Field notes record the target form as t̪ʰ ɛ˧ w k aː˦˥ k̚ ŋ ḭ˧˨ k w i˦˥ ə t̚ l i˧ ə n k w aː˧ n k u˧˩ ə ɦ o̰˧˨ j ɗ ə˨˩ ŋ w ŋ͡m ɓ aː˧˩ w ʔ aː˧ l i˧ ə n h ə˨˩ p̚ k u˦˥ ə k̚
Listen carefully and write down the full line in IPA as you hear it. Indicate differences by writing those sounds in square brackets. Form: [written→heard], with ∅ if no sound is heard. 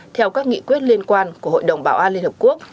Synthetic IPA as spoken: t̪ʰ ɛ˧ w k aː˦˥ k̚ ŋ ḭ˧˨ k w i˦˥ ə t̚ l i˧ ə n k w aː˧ n k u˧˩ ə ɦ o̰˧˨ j ɗ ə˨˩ [ŋ→∅] w ŋ͡m ɓ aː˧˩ w ʔ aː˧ l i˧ ə n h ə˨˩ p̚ k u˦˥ ə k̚